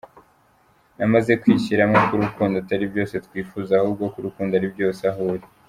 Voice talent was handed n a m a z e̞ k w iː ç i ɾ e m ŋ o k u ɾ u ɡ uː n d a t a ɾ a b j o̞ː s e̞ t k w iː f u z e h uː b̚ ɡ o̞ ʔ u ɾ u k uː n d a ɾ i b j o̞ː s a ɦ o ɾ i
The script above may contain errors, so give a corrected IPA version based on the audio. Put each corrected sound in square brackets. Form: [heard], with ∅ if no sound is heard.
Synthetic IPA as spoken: n a m a z e̞ k w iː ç i ɾ [a] m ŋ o k u ɾ u [k] uː n d a t a ɾ [i] b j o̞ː s e̞ t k w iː f u z [a] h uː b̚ ɡ o̞ [k] u ɾ u k uː n d a ɾ i b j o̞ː s a ɦ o ɾ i